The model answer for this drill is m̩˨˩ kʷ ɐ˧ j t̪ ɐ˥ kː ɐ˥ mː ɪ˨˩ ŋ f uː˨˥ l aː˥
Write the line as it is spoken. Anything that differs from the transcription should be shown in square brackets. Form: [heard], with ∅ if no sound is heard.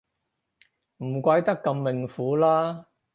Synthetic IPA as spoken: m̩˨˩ kʷ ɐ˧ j t̪ ɐ˥ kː [ɐ˧] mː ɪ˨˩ ŋ f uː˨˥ l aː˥